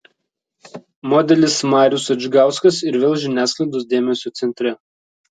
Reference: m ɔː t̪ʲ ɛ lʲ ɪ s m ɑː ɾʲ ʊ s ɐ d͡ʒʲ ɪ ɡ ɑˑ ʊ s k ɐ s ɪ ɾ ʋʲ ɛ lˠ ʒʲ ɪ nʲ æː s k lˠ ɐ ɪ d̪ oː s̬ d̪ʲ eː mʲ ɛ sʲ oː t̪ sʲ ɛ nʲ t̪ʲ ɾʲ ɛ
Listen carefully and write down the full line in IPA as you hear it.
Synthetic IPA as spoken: m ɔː d̪ʲ ɛ lʲ ɪ s m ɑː ɾʲ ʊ s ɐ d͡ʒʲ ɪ ɡ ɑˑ ʊ s k ɐ s ɪ ɾ ʋʲ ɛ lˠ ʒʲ ɪ nʲ æː s k lˠ ɐ ɪ d̪ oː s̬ d̪ʲ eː mʲ ɛ sʲ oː t̪ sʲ ɛ nʲ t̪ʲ ɾʲ ɛ